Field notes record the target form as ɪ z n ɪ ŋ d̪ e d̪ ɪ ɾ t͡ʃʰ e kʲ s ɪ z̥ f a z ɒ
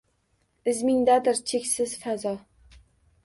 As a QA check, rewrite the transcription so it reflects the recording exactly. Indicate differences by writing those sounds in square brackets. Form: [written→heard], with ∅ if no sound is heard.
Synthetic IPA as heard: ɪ z [n→m] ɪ ŋ d̪ [e→a] d̪ ɪ ɾ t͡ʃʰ e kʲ s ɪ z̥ f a z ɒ